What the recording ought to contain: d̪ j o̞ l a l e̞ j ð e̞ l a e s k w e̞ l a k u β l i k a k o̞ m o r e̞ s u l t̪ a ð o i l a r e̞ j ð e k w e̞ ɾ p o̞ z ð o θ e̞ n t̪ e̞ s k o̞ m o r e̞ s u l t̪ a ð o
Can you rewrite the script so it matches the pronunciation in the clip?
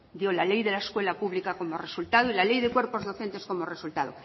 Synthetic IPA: d̪ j o̞ l a l e̞ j ð e̞ l a e s k w e̞ l a p u β l i k a k o̞ m o r e̞ s u l t̪ a ð o i l a l e̞ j ð e k w e̞ ɾ p o̞ z ð o θ e̞ n t̪ e̞ s k o̞ m o r e̞ s u l t̪ a ð o